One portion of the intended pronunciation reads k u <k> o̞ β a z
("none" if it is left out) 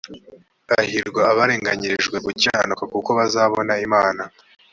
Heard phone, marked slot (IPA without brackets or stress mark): k